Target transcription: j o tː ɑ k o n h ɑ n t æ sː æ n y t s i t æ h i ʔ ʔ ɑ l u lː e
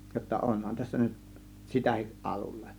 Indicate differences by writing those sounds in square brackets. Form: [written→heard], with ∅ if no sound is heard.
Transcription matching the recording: j o tː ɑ [k→ʔ] o n h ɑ n t æ sː æ n y t s i t æ h i ʔ ʔ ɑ l u lː e